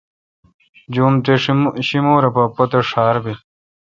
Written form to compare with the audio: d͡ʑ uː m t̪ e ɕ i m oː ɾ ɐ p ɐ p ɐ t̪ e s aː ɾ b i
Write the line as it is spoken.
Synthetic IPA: d͡ʑ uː m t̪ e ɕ i m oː ɾ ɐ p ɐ p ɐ t̪ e ʂ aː ɾ b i